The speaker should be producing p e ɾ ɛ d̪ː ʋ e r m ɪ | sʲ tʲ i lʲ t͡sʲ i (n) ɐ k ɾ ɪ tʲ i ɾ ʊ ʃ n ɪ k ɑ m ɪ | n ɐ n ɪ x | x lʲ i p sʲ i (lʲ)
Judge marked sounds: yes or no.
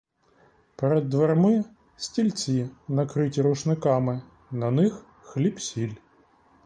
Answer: yes, yes

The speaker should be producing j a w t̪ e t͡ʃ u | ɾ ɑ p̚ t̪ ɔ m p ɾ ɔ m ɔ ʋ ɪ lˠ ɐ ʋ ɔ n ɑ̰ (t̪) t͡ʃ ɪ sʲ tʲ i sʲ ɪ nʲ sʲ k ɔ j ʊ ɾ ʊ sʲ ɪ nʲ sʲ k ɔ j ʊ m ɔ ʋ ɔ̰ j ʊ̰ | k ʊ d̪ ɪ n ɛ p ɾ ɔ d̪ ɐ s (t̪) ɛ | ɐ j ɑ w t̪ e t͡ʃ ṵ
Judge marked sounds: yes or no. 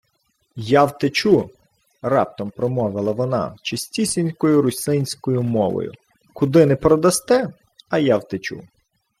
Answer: no, yes

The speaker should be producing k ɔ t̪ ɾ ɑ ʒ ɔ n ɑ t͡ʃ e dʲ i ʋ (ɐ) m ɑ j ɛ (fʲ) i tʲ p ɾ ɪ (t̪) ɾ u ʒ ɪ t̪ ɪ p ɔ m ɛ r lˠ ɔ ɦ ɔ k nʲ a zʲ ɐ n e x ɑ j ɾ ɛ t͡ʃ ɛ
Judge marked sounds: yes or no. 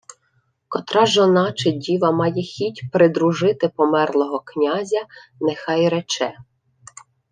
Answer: yes, no, no

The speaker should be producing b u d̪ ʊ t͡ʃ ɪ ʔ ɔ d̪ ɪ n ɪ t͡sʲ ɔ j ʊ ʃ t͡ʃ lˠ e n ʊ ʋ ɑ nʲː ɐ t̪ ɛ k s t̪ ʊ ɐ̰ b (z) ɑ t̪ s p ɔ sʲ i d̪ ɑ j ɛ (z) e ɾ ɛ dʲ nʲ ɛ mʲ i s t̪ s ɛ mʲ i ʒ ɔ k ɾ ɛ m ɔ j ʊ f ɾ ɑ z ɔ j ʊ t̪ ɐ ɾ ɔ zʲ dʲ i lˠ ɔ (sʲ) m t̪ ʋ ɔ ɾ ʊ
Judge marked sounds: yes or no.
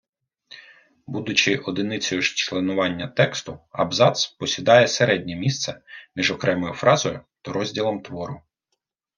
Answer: yes, no, no

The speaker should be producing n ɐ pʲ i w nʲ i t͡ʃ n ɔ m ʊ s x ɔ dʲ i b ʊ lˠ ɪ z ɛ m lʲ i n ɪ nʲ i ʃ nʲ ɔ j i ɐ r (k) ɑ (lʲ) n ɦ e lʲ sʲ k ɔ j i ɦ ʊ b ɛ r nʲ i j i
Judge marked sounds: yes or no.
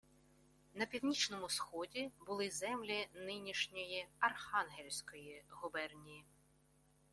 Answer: no, no

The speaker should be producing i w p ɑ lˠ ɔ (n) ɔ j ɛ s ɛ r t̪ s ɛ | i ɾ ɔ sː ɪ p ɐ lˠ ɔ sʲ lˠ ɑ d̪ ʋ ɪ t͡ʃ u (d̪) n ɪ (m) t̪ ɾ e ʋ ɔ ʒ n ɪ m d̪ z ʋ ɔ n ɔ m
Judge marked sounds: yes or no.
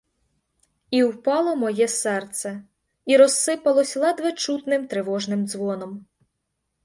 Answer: no, no, yes

